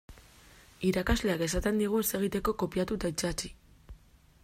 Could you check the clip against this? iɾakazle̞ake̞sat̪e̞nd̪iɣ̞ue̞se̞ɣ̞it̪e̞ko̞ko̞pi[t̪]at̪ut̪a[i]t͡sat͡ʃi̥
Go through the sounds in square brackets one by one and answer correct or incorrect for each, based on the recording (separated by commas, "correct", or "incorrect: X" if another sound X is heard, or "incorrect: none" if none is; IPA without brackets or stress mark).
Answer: incorrect: none, correct